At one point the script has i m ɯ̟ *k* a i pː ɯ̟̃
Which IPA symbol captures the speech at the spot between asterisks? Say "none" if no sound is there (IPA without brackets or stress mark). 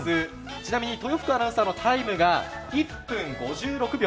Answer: ɡ